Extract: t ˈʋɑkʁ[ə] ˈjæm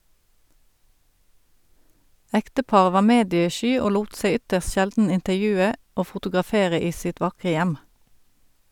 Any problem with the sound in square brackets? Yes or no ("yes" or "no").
no